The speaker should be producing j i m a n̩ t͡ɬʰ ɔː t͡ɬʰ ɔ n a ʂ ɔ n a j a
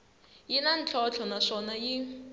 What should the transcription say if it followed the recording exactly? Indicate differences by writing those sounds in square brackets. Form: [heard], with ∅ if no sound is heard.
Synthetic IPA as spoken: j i [n] a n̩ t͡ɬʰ [ɔ] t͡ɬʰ ɔ n a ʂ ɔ n a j [i]